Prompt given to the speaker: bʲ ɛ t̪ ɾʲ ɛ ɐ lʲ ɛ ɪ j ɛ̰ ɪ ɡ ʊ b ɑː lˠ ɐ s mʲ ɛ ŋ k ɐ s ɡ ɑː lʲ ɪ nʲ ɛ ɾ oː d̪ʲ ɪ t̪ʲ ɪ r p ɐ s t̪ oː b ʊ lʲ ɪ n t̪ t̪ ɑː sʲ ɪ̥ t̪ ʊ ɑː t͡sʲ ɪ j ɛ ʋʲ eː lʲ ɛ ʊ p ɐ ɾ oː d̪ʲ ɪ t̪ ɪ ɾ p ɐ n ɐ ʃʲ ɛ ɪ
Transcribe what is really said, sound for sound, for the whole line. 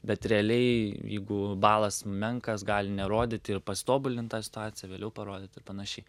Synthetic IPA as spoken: bʲ ɛ t̪ ɾʲ ɛ ɐ lʲ ɛ ɪ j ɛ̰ ɪ ɡ ʊ b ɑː lˠ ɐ s mʲ ɛ ŋ k ɐ s ɡ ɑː lʲ ɪ nʲ ɛ ɾ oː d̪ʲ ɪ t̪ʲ ɪ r p ɐ s t̪ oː b ʊ lʲ ɪ n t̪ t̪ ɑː sʲ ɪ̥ t̪ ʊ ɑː t͡sʲ ɪ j ɛ ʋʲ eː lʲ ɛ ʊ p ɐ ɾ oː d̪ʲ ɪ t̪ ɪ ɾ p ɐ n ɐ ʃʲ ɛ ɪ